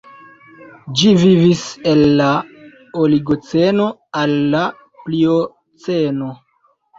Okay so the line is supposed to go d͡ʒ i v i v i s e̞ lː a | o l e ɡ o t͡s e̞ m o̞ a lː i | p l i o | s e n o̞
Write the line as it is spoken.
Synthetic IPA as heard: d͡ʒ i v i v i s e̞ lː a | o l i ɡ o t͡s e̞ n o̞ a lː a | p l i o | t͡s e n o̞